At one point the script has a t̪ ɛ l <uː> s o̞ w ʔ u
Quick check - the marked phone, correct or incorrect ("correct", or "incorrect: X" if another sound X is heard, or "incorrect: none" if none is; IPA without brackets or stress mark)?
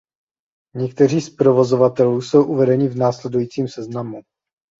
correct